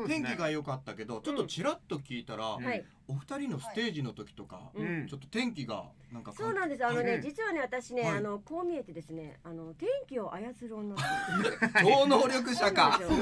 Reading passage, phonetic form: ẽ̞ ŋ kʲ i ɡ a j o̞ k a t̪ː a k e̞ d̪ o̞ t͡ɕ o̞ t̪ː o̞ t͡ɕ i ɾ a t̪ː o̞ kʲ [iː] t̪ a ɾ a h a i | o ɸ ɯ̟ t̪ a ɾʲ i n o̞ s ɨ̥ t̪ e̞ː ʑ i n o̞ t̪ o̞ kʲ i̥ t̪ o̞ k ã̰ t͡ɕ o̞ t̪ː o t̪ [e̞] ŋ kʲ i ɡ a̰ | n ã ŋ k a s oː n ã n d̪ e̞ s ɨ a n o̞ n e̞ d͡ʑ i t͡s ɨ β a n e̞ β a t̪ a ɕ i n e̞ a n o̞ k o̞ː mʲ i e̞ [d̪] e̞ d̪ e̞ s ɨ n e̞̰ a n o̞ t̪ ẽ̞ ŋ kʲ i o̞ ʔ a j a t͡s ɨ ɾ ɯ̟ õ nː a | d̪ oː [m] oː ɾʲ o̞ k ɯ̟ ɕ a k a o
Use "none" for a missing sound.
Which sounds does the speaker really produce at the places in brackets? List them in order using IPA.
iː, ẽ̞, t̪, n

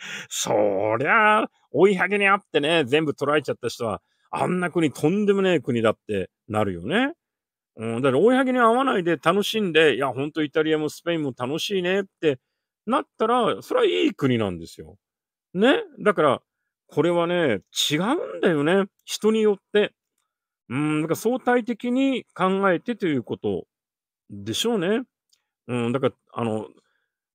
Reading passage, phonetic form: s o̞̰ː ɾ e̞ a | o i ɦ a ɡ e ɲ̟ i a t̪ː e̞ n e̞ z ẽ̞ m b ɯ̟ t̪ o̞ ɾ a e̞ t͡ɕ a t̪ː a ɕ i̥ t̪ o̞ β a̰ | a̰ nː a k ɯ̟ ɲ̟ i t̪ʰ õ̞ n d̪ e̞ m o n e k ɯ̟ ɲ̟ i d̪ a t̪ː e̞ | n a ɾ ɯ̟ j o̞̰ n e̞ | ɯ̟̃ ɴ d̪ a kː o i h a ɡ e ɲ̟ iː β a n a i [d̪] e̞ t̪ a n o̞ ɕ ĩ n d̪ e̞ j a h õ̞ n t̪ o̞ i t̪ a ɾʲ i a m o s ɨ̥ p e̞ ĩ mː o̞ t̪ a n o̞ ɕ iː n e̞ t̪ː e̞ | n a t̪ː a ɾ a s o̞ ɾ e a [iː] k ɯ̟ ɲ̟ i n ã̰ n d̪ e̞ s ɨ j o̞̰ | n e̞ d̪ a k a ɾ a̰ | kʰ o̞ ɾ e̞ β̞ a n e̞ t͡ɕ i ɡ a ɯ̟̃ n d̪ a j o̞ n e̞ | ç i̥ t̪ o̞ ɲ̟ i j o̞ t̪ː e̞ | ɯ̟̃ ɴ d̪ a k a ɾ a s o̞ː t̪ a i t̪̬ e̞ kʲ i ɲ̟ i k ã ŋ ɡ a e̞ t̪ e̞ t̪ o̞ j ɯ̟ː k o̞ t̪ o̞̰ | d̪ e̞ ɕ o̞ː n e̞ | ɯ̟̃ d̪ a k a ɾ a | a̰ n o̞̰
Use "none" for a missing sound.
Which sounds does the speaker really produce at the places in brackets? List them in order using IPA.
d̪, iː

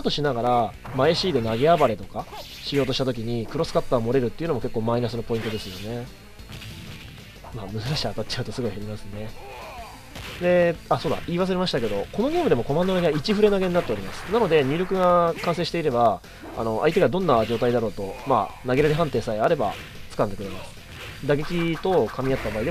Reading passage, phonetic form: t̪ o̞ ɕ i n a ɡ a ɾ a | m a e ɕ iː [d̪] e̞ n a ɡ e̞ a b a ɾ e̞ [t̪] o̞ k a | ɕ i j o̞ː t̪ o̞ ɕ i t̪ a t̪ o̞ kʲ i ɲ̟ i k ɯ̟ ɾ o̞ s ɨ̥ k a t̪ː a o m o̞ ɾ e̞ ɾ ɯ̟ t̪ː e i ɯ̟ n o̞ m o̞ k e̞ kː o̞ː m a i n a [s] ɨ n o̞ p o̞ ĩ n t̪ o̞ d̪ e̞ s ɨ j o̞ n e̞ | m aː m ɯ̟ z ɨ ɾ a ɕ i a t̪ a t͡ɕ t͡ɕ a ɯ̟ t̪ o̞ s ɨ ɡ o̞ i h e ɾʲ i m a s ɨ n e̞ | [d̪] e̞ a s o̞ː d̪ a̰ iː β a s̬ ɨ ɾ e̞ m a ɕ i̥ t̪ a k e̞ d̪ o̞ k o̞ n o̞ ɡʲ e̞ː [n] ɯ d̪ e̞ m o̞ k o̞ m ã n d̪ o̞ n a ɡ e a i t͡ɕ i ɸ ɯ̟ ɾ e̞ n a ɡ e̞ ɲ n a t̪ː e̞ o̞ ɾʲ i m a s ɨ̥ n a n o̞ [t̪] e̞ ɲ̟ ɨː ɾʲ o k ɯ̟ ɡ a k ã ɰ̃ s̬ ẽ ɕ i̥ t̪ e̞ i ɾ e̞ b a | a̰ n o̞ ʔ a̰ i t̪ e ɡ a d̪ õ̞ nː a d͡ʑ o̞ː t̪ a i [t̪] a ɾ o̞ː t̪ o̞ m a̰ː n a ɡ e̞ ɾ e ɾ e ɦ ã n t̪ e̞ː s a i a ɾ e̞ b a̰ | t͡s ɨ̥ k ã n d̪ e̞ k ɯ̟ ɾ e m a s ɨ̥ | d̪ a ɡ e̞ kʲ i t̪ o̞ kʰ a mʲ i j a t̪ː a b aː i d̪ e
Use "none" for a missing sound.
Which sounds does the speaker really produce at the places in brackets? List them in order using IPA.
d̪, t̪, s, d̪, m, d̪, d̪

